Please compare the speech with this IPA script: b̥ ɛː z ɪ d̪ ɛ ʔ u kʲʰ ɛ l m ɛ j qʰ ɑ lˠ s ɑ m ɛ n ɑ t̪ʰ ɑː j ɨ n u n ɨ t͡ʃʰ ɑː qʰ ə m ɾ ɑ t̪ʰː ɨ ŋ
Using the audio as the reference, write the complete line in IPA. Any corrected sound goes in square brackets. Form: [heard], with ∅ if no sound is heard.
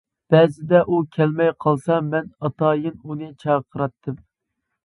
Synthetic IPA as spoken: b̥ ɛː z ɪ d̪ ɛ ʔ u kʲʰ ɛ l m ɛ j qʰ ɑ lˠ s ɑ m ɛ n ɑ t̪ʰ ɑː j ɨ n u n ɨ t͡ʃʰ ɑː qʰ ə [∅] ɾ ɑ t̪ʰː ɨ [m]